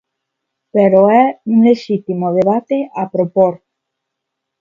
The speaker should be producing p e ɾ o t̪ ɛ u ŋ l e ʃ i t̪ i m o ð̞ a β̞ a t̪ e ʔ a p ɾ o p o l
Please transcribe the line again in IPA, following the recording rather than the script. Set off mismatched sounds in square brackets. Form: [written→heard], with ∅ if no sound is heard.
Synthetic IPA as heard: p e ɾ o [t̪→∅] ɛ u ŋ l e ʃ i t̪ i m o ð̞ [a→e] β̞ a t̪ e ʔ a p ɾ o p o [l→ɾ]